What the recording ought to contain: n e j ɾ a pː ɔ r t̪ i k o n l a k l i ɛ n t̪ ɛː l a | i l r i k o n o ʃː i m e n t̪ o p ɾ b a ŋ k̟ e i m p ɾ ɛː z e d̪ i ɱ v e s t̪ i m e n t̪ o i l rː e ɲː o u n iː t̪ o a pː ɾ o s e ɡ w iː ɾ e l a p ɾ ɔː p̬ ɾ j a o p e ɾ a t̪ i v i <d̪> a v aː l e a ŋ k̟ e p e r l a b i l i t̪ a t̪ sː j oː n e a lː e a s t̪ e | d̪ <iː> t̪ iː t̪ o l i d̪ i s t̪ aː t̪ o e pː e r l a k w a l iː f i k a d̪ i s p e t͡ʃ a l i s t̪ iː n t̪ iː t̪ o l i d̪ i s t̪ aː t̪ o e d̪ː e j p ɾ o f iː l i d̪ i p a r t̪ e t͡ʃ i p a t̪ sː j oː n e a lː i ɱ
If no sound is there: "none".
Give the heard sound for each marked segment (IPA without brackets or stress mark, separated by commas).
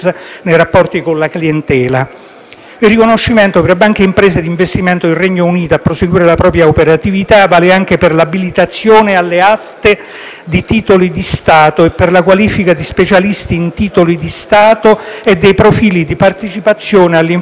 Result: t̪, i